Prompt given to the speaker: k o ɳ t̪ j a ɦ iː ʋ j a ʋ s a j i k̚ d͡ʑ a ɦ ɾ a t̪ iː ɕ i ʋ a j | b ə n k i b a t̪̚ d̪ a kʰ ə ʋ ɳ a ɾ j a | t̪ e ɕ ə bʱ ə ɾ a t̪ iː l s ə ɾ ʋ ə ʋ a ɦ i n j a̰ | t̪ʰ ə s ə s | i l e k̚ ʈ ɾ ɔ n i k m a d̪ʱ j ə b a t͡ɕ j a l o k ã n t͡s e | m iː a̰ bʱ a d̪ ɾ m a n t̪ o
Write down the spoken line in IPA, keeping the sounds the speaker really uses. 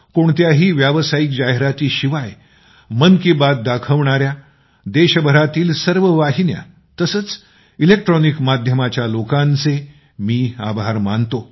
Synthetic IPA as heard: k o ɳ t̪ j a ɦ iː ʋ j a ʋ s a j i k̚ d͡ʑ a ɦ ɾ a t̪ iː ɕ i ʋ a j | m ə n k i b a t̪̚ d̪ a kʰ ə ʋ ɳ a ɾ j a | d̪ e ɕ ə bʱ ə ɾ a t̪ iː l s ə ɾ ʋ ə ʋ a ɦ i n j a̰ | t̪ ə s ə t͡s | i l e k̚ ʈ ɾ ɔ n i k m a d̪ʱ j ə m a t͡ɕ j a l o k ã n t͡s e | m iː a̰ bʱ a ɾ m a n t̪ o